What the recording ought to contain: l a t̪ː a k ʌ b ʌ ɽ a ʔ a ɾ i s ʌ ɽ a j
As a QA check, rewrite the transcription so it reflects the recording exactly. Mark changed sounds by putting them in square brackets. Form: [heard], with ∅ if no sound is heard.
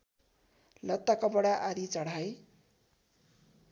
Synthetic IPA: l [ʌ] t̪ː a k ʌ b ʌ ɽ a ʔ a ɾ i [t͡s] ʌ ɽ a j